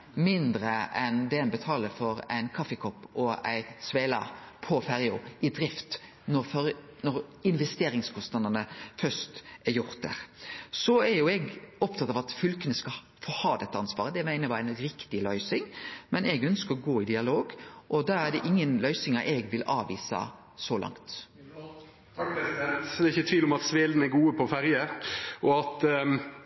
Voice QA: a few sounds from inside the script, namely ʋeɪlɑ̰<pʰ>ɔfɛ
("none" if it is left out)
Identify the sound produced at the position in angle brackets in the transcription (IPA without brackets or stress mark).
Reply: pʰ